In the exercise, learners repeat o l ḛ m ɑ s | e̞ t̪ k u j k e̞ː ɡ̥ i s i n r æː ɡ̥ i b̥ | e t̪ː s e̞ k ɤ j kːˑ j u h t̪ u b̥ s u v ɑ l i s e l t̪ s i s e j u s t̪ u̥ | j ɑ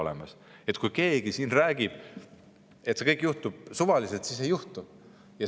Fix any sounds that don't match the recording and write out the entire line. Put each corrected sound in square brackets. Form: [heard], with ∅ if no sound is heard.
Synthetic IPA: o l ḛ m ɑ s | e̞ t̪ k u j k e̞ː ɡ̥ i s i n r æː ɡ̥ i b̥ | e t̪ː s e̞ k ɤ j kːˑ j u h t̪ u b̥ s u v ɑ l i s e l t̪ s i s e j u [h] t̪ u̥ | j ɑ